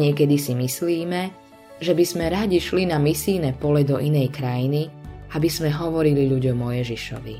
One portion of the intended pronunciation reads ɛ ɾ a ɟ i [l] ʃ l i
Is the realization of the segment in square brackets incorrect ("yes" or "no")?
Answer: yes